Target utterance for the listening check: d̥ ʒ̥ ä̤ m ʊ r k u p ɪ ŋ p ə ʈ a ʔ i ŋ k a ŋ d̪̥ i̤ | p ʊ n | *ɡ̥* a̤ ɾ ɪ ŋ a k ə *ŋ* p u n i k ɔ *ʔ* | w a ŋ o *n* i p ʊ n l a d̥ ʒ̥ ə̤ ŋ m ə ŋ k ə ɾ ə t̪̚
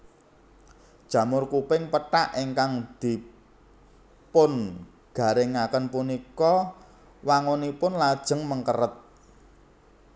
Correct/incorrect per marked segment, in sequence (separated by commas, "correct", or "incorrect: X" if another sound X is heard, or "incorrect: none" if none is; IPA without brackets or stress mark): correct, incorrect: n, incorrect: none, correct